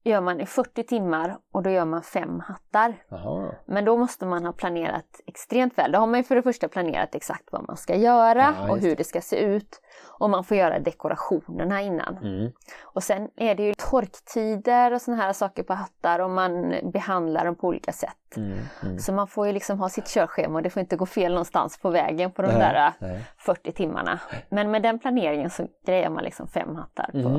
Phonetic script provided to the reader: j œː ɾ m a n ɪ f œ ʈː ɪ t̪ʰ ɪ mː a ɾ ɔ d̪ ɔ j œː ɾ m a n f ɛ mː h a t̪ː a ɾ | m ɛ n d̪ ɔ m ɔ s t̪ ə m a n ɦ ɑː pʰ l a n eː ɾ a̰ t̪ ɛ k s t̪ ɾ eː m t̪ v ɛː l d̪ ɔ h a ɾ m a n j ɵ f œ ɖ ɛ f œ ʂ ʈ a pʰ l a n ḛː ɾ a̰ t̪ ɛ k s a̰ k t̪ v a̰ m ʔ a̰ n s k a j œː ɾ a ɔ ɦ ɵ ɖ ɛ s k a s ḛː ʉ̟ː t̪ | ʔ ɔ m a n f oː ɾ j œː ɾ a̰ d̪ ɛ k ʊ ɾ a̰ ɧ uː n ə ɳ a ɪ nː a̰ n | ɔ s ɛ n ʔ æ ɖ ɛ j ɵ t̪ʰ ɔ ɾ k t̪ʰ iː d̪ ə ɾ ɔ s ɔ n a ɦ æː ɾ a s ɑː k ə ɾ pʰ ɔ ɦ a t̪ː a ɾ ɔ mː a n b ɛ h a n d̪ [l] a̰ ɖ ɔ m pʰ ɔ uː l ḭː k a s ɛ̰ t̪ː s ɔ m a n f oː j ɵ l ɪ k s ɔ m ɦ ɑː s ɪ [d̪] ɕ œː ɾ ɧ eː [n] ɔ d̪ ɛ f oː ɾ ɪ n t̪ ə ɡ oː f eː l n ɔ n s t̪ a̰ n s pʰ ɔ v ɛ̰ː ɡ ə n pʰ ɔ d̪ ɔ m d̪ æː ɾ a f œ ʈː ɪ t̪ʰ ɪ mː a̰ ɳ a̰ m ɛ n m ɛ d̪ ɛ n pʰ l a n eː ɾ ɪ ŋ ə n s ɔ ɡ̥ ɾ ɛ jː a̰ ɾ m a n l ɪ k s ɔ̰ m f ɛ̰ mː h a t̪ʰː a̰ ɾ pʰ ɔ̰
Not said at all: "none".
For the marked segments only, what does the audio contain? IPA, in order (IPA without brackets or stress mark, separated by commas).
l, t̪, m